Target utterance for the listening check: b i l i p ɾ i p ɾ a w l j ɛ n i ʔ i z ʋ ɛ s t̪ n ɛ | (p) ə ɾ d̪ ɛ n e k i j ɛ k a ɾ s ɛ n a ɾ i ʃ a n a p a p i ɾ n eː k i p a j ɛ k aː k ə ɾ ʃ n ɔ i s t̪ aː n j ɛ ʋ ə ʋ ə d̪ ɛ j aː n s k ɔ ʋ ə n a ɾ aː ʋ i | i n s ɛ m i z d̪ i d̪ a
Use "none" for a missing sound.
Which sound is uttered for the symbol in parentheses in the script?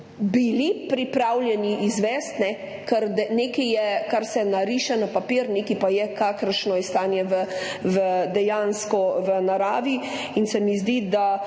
k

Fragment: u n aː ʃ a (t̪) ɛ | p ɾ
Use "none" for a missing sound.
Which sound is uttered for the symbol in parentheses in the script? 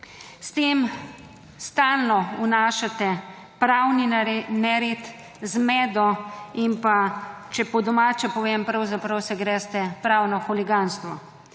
t̪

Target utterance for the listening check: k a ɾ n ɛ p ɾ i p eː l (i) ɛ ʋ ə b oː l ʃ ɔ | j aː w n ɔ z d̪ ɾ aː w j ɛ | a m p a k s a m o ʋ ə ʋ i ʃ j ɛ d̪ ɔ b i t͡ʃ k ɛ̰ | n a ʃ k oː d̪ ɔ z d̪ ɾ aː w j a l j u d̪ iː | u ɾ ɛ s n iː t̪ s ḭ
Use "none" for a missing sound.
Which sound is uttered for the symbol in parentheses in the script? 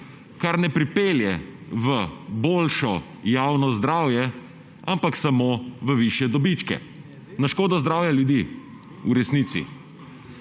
j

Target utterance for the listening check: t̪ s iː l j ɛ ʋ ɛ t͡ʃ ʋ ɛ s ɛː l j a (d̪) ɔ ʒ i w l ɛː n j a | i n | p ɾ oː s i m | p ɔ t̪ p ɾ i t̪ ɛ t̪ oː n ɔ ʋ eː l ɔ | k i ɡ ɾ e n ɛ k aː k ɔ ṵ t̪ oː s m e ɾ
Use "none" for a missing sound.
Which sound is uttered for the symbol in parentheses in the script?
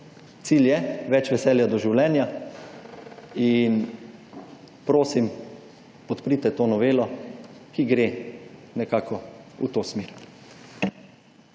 d̪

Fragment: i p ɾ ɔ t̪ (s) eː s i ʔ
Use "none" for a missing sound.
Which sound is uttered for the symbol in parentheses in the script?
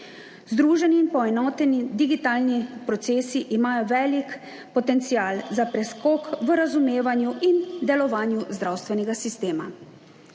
s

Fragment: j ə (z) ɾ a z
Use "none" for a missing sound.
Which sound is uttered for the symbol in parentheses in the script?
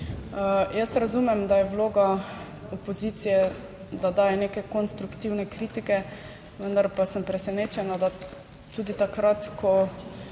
s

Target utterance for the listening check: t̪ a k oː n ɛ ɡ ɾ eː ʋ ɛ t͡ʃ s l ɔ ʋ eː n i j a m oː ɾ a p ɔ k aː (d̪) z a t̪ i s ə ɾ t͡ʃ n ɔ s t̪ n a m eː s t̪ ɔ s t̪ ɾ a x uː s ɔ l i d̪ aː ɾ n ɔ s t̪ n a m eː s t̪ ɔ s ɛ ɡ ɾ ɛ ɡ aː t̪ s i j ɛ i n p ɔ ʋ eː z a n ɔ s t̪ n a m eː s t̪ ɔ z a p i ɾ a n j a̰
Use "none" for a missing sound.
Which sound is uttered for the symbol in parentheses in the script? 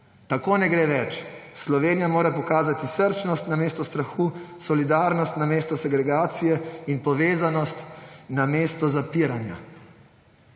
none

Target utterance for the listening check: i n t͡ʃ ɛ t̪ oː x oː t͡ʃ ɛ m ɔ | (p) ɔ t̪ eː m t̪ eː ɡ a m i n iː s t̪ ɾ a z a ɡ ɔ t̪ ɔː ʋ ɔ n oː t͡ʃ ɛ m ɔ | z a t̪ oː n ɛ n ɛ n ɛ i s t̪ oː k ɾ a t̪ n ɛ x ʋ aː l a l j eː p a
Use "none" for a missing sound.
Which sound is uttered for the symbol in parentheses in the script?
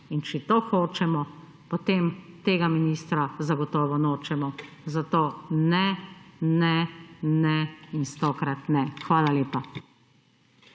p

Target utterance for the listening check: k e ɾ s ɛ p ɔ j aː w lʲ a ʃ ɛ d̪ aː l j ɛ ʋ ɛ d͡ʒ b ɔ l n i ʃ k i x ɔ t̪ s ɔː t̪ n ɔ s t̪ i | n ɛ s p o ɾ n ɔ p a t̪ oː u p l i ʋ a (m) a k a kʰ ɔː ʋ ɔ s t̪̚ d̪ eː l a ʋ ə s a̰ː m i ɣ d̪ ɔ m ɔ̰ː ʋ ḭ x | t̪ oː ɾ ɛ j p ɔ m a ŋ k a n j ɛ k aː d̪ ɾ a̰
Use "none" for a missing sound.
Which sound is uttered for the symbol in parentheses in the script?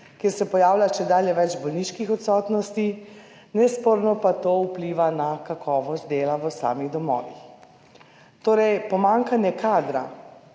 n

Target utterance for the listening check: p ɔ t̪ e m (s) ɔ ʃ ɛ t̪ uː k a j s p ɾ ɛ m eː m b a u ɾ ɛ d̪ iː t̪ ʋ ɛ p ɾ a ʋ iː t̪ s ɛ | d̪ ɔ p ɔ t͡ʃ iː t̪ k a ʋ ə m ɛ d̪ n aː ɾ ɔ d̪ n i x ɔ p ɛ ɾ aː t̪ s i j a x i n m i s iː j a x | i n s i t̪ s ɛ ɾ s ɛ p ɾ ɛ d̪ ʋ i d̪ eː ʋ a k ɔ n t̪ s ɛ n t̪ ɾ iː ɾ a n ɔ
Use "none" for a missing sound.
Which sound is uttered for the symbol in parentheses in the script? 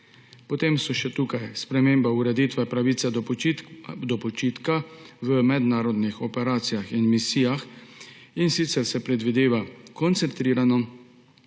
s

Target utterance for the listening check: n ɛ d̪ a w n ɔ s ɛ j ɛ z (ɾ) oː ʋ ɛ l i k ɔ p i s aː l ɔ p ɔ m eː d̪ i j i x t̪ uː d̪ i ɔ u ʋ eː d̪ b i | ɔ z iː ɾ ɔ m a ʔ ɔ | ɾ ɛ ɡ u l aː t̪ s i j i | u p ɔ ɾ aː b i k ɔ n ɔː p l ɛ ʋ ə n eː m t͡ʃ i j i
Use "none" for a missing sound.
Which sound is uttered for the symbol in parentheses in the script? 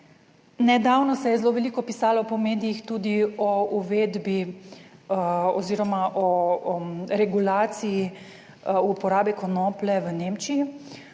l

